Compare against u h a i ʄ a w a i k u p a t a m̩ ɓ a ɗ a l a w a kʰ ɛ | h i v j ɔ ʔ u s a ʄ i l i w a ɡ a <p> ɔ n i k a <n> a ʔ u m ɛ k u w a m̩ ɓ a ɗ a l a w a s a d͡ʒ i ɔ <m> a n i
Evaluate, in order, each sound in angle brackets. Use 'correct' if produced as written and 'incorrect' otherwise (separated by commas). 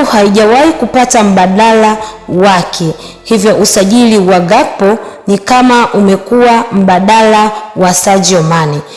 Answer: correct, incorrect, correct